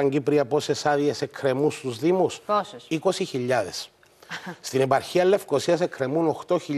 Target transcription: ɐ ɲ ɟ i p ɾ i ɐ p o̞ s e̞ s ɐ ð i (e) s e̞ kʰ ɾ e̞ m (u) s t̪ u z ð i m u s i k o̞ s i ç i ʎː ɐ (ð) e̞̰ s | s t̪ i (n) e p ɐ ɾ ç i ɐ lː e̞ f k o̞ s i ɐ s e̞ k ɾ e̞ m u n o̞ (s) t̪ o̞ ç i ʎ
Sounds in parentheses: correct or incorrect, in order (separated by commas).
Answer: correct, correct, correct, correct, incorrect